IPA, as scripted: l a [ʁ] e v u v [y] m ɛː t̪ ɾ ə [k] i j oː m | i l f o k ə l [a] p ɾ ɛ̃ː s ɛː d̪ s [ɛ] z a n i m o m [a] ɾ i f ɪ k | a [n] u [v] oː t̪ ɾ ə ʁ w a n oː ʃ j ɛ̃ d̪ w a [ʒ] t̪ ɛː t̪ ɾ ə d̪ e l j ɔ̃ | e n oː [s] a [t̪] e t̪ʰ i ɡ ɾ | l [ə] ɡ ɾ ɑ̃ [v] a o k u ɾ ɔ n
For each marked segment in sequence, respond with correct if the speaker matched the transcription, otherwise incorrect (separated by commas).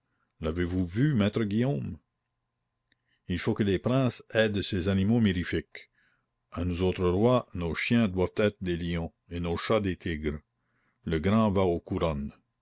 incorrect, correct, incorrect, incorrect, incorrect, incorrect, correct, incorrect, incorrect, incorrect, incorrect, correct, correct